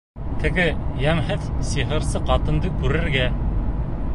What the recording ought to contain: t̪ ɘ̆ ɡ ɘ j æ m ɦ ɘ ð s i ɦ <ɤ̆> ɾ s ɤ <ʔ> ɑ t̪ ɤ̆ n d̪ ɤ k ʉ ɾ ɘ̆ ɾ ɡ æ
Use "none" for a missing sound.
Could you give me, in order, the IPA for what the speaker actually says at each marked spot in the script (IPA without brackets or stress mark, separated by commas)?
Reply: ɤ̆, q